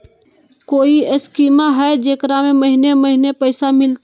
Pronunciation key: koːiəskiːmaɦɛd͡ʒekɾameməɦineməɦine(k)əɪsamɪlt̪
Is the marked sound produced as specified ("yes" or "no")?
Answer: no